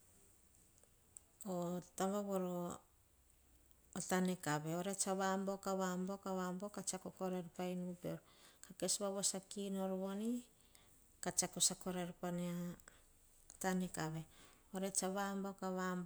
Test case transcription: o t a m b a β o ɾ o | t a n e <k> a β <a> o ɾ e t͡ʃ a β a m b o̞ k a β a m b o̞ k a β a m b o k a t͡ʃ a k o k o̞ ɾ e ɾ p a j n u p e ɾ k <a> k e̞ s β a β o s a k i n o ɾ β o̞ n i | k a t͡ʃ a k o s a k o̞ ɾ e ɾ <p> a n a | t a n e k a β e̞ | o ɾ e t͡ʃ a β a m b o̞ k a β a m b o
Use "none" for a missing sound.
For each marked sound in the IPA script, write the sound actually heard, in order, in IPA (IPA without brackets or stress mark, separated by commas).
k, e, a, p